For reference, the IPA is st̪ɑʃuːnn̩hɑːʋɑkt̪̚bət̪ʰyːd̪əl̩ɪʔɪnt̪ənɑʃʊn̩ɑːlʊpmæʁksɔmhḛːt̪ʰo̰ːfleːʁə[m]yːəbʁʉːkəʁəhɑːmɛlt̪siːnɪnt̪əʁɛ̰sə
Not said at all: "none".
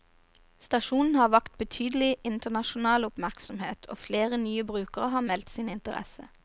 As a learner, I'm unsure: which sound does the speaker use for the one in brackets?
n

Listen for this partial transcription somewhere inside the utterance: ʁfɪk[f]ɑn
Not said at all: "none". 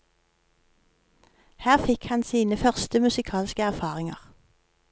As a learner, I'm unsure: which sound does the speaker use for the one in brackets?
h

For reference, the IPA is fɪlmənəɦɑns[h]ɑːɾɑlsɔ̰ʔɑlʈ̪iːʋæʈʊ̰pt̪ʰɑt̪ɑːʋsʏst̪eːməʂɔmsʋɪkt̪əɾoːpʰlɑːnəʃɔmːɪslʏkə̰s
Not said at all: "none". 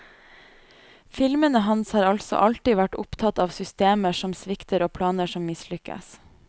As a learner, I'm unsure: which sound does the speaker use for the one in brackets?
h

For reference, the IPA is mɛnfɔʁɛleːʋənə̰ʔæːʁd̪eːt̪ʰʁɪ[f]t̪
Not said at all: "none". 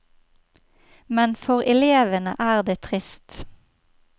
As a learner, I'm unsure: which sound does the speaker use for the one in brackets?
s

